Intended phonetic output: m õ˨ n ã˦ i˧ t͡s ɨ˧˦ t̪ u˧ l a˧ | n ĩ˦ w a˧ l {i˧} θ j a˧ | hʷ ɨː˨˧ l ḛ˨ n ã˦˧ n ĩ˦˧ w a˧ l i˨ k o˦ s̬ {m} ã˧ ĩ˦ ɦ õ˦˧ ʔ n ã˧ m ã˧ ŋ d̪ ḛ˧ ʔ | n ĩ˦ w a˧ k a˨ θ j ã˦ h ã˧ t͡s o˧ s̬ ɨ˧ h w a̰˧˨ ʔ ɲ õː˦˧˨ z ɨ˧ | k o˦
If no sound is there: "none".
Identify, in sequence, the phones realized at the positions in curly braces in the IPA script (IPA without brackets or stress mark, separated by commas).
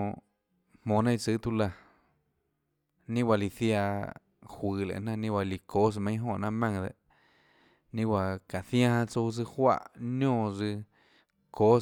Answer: i˧, m